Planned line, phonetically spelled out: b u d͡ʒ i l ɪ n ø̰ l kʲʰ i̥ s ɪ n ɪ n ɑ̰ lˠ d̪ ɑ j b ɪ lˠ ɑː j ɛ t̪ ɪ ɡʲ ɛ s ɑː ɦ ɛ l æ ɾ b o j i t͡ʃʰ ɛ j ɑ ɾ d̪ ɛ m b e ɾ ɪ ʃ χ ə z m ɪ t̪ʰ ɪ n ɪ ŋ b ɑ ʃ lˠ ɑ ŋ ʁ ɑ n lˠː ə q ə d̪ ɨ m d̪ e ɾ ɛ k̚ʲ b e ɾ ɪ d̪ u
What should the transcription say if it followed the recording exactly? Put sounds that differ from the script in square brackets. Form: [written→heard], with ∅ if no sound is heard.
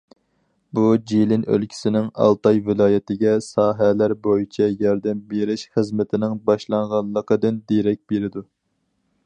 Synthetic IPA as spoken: b u d͡ʒ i l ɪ n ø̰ l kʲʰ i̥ s ɪ n ɪ [n→ŋ] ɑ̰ lˠ [d̪→t̪] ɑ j [b→v] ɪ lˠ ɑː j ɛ t̪ ɪ ɡʲ ɛ s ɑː ɦ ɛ l æ ɾ b o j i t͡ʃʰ ɛ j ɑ ɾ d̪ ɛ m b e ɾ ɪ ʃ χ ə z m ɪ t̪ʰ ɪ n ɪ ŋ b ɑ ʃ lˠ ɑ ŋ ʁ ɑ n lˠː ə q ə d̪ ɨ [m→n] d̪ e ɾ ɛ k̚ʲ b e ɾ ɪ d̪ u